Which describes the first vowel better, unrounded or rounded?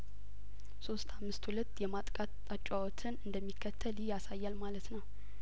rounded